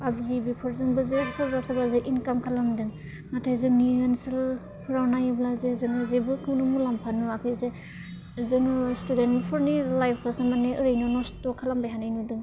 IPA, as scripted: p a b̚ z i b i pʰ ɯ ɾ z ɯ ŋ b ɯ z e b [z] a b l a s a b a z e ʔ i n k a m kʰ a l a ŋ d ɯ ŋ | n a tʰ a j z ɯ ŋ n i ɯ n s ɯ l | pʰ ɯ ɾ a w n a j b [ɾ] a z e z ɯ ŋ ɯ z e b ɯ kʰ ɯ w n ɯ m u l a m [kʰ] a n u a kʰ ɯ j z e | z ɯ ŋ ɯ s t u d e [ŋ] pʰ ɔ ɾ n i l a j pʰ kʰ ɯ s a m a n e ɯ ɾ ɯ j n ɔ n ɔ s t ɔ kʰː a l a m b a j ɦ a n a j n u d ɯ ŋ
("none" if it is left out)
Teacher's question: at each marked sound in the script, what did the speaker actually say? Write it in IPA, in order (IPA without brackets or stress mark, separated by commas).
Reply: s, l, pʰ, n